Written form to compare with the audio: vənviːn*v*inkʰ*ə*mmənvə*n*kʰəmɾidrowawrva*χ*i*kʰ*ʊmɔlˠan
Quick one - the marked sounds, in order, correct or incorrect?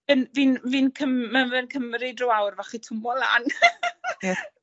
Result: correct, correct, correct, correct, incorrect

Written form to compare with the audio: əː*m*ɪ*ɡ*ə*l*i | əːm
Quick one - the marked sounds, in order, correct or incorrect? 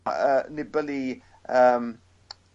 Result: incorrect, incorrect, correct

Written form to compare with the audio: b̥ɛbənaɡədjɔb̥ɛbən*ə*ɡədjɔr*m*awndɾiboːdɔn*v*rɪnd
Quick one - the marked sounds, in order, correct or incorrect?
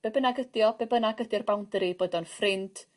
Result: incorrect, incorrect, incorrect

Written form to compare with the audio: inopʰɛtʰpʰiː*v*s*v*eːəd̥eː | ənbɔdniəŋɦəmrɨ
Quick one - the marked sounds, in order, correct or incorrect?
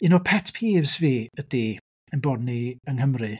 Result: correct, correct

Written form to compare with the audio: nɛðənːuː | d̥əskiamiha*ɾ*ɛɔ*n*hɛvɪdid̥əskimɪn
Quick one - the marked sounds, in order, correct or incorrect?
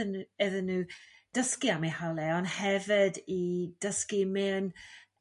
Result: incorrect, correct

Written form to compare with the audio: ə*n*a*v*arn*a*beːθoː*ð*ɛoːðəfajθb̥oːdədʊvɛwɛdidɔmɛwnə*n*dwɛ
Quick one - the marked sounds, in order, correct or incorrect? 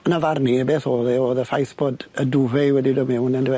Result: correct, correct, incorrect, correct, correct

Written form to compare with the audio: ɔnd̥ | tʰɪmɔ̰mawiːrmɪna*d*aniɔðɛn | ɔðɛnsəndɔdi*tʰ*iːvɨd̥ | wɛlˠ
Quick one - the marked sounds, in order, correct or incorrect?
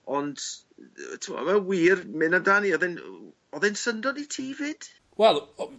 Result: correct, correct

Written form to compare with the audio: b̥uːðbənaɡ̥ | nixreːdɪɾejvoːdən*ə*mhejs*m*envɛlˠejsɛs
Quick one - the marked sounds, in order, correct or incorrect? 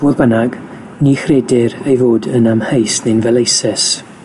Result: incorrect, incorrect

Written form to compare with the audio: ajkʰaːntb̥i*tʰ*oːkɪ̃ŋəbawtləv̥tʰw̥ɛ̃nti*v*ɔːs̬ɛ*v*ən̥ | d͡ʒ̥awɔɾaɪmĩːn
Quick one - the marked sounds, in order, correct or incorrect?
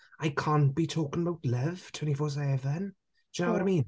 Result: correct, incorrect, correct

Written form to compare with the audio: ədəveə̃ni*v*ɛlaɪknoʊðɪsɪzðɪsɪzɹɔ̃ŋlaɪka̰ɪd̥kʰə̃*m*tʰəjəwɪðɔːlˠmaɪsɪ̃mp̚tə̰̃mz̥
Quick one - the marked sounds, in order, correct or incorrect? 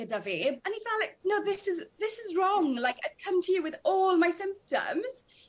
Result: incorrect, correct

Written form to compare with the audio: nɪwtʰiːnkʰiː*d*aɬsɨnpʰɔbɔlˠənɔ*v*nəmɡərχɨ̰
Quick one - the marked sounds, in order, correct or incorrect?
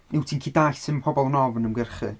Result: correct, correct

